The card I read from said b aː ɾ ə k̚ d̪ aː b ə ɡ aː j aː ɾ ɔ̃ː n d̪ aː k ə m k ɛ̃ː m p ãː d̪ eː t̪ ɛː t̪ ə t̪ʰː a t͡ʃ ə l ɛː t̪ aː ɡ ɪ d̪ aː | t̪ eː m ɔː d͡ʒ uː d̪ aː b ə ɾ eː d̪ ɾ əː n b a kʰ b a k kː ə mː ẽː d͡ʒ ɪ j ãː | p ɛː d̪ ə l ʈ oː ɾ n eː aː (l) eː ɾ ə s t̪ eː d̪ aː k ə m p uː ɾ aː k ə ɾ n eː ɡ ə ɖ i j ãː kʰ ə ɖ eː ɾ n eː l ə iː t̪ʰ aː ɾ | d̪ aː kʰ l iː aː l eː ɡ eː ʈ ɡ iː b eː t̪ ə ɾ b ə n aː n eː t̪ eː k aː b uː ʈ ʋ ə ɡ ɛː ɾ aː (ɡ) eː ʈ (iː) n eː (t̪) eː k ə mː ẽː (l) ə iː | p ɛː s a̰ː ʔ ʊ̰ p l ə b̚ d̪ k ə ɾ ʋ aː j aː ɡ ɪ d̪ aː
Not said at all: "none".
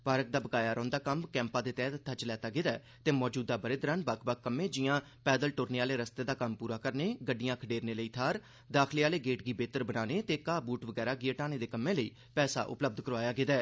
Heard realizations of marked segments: l, ɡ, aː, d̪, l

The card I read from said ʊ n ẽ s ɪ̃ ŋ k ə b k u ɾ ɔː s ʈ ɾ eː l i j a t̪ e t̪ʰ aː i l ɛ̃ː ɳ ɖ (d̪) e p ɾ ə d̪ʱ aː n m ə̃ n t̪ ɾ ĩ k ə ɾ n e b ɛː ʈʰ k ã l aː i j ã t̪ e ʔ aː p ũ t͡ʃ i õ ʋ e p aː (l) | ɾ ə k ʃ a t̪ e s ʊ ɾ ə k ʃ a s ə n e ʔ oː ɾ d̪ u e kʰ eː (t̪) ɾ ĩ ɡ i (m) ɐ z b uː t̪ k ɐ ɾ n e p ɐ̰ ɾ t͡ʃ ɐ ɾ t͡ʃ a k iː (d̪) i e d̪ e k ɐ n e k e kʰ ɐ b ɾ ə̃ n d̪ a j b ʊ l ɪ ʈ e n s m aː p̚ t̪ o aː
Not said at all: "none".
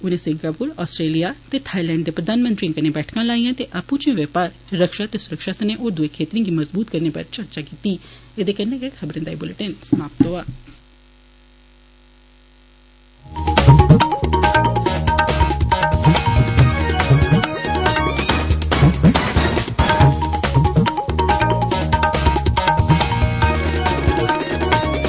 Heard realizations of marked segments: d̪, ɾ, t̪, m, t̪

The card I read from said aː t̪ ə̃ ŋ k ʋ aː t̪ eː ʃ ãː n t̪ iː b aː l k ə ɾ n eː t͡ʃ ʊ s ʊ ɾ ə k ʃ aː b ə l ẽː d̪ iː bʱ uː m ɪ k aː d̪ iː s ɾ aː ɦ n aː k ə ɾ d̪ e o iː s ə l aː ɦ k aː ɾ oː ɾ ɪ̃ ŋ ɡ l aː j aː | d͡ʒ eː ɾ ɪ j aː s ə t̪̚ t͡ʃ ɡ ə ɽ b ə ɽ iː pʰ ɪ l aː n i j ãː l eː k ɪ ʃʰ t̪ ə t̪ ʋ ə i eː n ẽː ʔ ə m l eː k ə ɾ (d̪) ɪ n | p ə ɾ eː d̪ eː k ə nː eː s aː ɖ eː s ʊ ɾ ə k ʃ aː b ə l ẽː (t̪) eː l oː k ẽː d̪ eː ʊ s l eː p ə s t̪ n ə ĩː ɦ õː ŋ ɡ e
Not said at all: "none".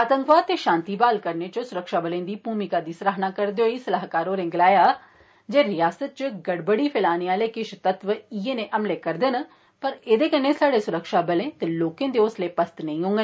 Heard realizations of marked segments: d̪, t̪

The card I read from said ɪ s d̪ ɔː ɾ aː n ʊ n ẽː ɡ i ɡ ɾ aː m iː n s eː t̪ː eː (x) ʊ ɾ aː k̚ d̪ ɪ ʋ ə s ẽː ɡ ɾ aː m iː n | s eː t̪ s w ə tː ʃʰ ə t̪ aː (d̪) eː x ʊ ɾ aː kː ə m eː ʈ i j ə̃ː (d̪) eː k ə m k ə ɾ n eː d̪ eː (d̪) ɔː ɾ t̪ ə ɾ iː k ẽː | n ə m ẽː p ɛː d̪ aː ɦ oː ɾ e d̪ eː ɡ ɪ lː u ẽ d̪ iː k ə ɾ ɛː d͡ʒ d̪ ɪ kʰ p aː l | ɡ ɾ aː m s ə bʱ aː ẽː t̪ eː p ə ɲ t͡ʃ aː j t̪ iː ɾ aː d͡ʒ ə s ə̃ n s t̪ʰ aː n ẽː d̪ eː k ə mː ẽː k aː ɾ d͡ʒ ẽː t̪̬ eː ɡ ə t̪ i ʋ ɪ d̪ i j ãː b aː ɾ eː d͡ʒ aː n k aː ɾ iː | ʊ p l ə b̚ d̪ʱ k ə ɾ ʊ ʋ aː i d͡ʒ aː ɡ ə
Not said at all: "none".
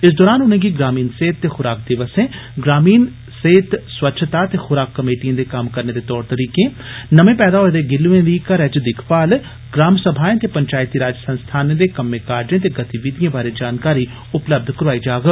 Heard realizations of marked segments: x, t̪, d̪, t̪

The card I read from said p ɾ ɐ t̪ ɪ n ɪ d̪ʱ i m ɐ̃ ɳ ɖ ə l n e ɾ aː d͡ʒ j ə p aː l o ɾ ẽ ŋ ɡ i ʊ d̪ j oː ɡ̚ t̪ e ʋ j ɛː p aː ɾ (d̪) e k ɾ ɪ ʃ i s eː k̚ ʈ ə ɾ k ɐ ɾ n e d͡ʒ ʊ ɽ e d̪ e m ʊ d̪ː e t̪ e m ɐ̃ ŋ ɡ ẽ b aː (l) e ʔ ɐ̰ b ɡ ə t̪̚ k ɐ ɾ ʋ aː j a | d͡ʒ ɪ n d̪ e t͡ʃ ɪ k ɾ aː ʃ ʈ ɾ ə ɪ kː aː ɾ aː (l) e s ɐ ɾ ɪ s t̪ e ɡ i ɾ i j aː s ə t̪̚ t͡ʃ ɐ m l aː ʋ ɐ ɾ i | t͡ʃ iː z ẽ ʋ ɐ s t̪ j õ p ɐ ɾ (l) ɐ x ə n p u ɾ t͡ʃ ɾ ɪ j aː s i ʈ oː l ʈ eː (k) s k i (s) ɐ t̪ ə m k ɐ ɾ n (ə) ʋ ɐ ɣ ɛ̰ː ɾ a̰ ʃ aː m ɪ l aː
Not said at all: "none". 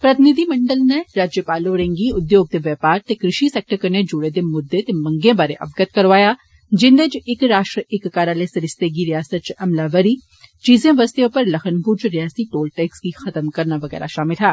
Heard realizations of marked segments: t̪, ɾ, l, l, k, x, a

